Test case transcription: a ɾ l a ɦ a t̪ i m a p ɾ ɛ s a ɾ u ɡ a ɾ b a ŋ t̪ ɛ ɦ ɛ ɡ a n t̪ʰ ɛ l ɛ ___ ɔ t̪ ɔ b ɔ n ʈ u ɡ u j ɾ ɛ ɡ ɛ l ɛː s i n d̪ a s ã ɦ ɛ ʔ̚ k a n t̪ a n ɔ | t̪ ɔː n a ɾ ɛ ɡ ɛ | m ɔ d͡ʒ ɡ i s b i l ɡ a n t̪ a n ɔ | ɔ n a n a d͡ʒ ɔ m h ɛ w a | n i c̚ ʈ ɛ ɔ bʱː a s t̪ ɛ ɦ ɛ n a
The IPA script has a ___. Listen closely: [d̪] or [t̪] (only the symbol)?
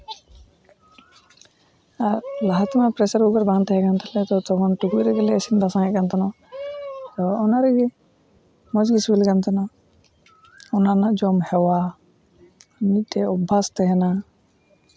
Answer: t̪